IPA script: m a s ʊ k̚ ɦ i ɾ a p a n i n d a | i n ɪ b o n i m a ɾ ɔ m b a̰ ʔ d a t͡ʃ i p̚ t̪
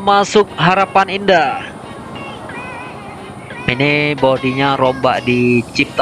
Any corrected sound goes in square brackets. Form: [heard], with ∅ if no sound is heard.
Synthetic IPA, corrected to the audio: m a s ʊ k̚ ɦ [a] ɾ a p a n i n d a | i n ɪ b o [d] i [ɲ] a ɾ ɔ m b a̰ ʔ d [i] t͡ʃ i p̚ t̪